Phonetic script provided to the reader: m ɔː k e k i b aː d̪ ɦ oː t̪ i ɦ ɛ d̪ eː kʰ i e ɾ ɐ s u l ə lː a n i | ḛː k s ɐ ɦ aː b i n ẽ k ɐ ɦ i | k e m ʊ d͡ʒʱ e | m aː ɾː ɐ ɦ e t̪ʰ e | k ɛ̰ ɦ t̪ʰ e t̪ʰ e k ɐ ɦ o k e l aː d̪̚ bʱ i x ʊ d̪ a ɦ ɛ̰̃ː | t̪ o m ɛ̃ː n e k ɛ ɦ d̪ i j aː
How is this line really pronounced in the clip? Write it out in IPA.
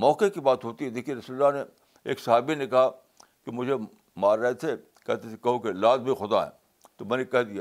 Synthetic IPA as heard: m ɔː k e k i b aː t̪ ɦ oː t̪ i ɦ ɛ d̪ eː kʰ i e ɾ ɐ s u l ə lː a n e | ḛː k s ɐ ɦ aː b i n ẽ k ɐ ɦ a | k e m ʊ d͡ʒʱ e | m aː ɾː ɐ ɦ e t̪ʰ e | k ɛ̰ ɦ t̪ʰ e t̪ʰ e k ɐ ɦ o k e l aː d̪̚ bʱ i x ʊ d̪ a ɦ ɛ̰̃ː | t̪ o m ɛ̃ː n e k ɛ ɦ d̪ i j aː